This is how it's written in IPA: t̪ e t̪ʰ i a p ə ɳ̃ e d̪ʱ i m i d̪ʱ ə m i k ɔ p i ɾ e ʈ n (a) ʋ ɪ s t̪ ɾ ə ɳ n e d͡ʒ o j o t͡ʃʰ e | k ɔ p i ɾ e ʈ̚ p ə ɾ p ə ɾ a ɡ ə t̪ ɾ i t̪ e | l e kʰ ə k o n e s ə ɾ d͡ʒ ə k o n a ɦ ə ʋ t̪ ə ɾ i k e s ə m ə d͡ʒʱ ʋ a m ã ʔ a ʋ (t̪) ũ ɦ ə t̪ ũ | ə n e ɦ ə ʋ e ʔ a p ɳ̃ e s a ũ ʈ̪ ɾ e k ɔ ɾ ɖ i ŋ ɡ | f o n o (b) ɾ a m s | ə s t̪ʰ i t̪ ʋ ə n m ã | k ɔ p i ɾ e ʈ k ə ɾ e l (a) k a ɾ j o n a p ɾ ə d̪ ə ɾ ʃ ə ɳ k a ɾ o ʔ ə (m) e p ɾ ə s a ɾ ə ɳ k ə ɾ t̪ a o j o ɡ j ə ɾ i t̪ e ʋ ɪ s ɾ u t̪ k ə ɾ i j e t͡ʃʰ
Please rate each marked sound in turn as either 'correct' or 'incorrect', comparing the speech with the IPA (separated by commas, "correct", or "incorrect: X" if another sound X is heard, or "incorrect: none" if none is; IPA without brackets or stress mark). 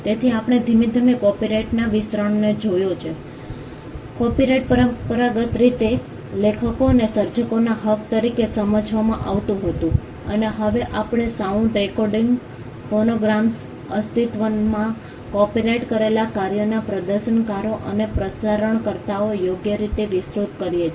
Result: correct, correct, incorrect: ɡ, correct, incorrect: n